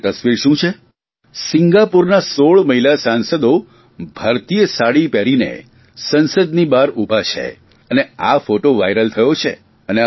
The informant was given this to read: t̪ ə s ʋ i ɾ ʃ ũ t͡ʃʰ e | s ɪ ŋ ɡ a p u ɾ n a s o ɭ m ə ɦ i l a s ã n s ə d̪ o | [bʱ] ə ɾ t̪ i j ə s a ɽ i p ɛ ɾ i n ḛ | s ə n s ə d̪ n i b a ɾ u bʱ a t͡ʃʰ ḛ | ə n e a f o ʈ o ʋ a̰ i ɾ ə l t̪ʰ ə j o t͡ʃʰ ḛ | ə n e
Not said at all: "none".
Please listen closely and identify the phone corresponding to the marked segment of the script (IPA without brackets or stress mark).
bʱ